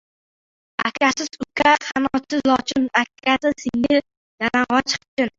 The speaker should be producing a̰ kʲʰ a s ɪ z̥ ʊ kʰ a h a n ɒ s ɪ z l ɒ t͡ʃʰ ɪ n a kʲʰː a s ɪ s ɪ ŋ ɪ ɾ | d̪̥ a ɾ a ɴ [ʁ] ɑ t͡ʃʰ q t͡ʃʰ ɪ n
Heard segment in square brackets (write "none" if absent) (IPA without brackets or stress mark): ʁ